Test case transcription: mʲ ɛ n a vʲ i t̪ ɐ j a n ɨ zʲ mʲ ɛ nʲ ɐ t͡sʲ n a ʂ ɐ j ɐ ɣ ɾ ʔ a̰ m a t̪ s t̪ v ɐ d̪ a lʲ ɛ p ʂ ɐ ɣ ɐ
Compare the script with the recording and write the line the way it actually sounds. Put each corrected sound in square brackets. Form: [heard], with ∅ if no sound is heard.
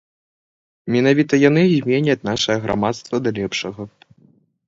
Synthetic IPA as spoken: mʲ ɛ n a vʲ i t̪ ɐ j a n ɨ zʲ mʲ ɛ nʲ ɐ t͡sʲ n a ʂ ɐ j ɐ ɣ ɾ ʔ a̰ m a t̪ s t̪ v ɐ d̪ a lʲ ɛ p ʂ ɐ ɣ ɐ